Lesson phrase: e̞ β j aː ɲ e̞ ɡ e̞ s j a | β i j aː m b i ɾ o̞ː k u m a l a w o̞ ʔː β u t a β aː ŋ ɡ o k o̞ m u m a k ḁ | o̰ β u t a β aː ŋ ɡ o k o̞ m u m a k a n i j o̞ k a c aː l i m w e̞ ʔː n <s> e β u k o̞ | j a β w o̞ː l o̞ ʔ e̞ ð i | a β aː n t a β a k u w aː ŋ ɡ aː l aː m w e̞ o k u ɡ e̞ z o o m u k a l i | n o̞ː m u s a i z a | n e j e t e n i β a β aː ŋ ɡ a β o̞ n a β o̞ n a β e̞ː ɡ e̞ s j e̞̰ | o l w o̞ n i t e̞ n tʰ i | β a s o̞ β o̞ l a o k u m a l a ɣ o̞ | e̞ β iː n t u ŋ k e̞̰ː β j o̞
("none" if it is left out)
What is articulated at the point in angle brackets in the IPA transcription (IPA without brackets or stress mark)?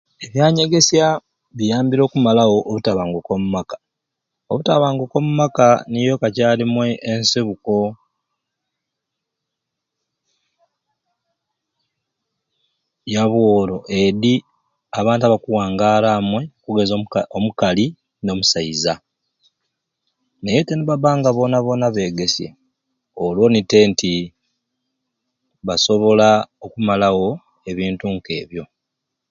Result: s